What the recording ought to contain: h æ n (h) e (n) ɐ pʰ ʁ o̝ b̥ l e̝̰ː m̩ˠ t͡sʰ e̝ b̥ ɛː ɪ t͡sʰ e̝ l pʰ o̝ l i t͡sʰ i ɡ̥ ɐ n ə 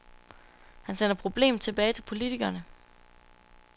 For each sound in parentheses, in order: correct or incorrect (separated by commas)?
incorrect, correct